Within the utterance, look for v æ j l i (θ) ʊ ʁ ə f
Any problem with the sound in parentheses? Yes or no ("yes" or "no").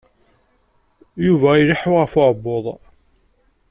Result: yes